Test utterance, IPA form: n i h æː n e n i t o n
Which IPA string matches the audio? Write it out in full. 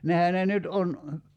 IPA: n e h æ n e n y t o n